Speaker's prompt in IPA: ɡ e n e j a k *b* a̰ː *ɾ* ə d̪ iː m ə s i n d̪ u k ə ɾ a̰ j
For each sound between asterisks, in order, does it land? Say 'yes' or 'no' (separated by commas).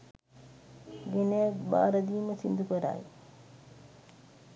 yes, yes